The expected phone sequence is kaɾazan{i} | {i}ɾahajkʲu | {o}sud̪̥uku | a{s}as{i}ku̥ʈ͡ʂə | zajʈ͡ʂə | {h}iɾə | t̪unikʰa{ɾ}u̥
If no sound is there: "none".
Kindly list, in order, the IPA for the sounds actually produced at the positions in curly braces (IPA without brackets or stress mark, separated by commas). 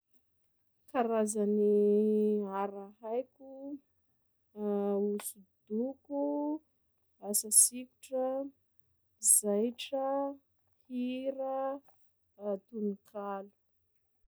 i, a, u, s, i, h, l